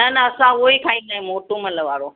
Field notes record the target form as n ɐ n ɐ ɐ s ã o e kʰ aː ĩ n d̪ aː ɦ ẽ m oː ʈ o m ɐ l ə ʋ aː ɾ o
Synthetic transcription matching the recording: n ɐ n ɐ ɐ s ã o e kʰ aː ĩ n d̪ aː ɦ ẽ m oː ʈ o m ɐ l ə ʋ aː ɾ o